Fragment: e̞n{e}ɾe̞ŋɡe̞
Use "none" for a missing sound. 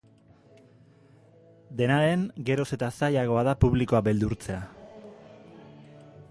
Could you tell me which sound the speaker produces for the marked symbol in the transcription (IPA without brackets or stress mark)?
a